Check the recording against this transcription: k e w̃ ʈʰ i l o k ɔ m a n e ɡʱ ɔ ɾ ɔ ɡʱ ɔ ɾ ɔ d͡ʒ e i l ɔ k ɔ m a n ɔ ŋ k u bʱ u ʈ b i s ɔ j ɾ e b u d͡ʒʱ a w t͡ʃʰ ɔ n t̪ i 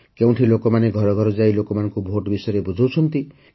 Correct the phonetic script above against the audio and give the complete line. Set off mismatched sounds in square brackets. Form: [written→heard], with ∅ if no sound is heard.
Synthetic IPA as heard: k e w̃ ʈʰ i l o k ɔ m a n e ɡʱ ɔ ɾ ɔ ɡʱ ɔ ɾ ɔ d͡ʒ [e→a] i l [ɔ→o] k ɔ m a n ɔ ŋ k u bʱ [u→o] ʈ b i s ɔ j ɾ e b u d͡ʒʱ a w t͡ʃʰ ɔ n t̪ i